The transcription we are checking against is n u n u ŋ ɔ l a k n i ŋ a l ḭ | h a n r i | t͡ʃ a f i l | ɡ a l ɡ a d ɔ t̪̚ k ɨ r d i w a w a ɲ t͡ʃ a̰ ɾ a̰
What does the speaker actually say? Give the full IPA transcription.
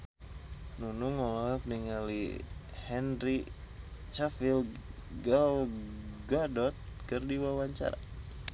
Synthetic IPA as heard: n u n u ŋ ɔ l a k n i ŋ a l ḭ | h ɛ n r i | t͡ʃ a f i l | ɡ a l ɡ a d ɔ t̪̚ k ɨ r d i w a w a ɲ t͡ʃ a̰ ɾ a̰